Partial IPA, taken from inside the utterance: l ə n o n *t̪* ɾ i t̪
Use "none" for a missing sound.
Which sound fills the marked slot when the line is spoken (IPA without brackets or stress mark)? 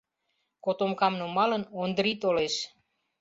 d̪